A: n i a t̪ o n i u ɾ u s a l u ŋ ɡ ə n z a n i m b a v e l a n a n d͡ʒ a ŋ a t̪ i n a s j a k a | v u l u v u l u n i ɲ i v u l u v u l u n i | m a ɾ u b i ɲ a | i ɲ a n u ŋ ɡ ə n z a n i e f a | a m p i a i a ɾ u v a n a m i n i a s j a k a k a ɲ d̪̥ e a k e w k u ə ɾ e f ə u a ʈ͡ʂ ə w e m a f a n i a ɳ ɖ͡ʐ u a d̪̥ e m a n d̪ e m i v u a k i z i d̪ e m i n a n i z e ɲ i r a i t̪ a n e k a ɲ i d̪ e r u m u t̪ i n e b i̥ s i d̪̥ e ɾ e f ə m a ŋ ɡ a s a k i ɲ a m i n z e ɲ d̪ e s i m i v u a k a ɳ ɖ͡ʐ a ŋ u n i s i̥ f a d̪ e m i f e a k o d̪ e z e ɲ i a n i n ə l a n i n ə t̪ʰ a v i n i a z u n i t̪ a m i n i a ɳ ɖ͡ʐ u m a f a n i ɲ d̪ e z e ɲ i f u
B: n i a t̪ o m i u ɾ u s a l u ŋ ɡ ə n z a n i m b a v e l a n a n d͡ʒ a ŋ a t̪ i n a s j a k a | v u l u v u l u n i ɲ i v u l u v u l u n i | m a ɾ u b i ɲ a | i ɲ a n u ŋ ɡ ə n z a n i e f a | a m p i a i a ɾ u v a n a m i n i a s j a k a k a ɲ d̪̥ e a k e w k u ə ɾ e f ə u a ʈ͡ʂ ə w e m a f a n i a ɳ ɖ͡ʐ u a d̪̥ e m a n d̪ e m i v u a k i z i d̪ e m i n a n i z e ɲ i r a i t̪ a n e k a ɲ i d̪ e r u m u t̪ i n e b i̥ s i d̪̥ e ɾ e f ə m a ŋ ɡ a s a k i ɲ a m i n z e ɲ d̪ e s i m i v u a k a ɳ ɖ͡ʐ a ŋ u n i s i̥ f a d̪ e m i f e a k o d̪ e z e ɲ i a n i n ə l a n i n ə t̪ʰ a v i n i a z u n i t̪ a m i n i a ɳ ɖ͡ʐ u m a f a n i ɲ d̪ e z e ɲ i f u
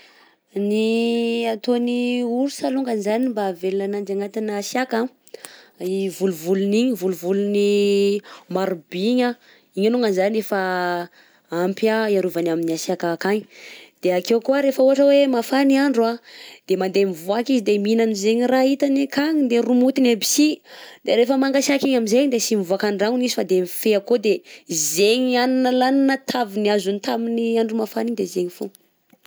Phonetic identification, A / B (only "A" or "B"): A